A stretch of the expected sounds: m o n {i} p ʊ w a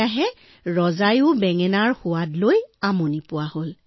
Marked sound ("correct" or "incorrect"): correct